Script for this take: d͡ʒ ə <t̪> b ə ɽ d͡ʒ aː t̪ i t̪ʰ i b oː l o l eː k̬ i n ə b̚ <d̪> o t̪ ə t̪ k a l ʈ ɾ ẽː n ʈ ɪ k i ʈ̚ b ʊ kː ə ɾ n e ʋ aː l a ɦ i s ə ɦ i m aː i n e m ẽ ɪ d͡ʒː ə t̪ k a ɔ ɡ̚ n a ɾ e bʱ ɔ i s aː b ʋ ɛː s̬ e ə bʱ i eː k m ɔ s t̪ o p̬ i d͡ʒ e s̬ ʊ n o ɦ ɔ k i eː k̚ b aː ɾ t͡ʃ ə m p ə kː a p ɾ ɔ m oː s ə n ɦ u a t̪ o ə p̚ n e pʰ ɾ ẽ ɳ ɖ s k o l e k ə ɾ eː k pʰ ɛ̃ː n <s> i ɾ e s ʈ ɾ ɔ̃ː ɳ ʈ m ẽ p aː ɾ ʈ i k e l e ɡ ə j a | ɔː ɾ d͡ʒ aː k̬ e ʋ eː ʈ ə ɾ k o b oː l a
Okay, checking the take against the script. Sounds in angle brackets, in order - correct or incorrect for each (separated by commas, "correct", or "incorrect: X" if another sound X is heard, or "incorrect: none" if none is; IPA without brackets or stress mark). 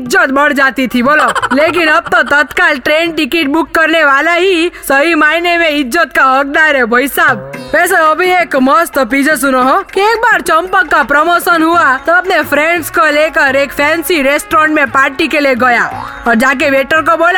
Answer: correct, incorrect: t̪, correct